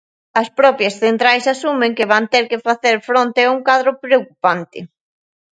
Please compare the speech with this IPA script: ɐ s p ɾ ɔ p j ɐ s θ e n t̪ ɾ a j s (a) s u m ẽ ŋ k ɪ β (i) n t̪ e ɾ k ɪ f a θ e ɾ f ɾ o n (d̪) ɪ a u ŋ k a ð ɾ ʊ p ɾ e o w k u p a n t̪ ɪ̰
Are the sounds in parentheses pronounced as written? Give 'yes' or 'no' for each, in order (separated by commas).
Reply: yes, no, no